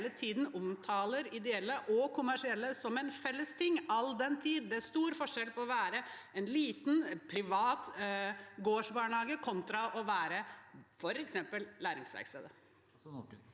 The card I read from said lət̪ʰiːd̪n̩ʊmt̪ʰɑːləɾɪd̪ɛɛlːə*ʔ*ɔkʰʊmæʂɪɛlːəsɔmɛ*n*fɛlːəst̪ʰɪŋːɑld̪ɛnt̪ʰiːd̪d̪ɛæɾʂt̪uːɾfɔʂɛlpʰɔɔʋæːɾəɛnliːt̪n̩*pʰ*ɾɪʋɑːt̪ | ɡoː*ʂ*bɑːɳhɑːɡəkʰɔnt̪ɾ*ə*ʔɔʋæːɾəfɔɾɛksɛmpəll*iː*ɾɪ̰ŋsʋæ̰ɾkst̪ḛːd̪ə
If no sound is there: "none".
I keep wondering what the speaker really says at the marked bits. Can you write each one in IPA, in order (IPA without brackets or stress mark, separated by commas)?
ʔ, n, pʰ, ʂ, ɑ, æː